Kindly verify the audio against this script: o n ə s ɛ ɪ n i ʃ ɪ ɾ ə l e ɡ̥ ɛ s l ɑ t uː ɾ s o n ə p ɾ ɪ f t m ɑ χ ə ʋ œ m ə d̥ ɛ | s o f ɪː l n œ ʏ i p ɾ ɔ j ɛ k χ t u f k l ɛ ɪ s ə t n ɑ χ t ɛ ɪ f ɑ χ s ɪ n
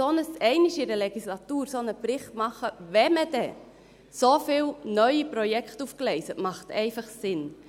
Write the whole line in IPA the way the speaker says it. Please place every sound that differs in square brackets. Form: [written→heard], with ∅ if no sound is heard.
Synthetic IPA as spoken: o n ə s ɛ ɪ n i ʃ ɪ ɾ ə l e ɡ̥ [ɛ→i] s l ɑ t uː ɾ s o n ə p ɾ ɪ [f→χ] t m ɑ χ ə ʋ [œ→ɛ] m ə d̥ ɛ | s o f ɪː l n œ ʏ i p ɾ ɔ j ɛ k χ t u f k l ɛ ɪ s ə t [n→m] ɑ χ t ɛ ɪ f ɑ χ s ɪ n